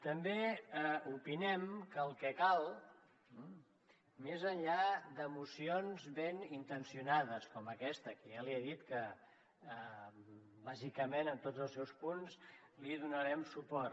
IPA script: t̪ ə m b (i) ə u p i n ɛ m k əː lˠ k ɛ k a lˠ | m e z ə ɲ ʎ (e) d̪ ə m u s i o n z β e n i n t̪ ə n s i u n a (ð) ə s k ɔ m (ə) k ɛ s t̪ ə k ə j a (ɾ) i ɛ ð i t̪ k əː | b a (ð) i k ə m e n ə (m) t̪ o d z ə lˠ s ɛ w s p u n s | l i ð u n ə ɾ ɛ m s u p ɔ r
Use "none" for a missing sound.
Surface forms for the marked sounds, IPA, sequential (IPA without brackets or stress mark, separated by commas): e, a, ð, ə, l, z, n